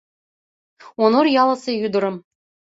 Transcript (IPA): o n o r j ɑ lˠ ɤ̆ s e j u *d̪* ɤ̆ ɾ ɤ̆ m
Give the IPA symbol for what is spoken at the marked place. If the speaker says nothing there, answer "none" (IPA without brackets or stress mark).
d̪